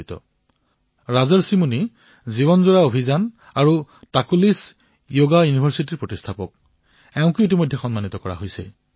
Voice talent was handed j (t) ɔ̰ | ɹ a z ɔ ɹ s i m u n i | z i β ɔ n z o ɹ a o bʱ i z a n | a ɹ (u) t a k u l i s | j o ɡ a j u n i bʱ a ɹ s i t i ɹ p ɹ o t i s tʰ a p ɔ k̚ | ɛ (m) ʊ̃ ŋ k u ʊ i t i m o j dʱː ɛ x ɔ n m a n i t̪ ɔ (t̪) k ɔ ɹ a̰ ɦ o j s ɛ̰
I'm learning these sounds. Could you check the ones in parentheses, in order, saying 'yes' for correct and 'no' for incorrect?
yes, yes, no, no

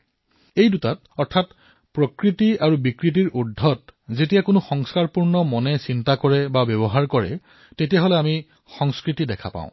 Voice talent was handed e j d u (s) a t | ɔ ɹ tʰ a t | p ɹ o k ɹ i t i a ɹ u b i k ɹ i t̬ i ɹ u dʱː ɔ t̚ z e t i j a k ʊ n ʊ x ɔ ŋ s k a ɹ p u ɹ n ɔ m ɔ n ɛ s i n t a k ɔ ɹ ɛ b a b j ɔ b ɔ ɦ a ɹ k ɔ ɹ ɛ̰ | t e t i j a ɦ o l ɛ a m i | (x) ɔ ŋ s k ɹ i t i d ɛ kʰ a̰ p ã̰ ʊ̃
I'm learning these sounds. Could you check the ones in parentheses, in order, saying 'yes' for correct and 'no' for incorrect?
no, yes

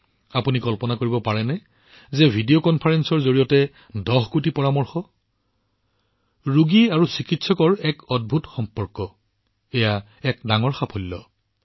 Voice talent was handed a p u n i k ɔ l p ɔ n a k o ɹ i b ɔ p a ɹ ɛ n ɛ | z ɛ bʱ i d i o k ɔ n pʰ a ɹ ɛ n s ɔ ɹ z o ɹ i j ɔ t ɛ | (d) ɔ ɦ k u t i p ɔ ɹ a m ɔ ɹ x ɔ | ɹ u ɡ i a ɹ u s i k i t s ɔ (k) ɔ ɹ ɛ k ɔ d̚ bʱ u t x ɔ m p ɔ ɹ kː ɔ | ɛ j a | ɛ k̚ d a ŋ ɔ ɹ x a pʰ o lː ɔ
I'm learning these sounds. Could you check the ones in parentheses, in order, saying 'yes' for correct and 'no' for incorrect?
yes, yes

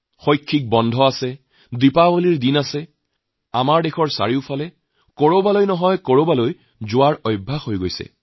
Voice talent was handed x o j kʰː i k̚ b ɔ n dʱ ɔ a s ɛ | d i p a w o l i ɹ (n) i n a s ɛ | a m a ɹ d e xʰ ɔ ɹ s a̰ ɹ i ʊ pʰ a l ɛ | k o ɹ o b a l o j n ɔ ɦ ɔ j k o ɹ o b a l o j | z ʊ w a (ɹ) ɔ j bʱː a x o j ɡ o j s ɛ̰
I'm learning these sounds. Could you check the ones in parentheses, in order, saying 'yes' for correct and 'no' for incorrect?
no, yes

